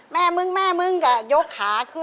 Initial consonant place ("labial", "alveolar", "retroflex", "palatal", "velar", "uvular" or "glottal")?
labial